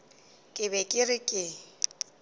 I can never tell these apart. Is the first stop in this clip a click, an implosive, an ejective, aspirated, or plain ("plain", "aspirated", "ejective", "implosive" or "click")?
ejective